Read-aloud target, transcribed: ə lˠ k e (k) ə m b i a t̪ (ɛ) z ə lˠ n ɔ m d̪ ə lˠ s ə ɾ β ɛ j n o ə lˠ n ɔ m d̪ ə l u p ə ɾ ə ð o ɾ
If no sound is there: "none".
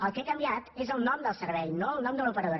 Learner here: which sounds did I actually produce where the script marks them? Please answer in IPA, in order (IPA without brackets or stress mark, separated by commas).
k, e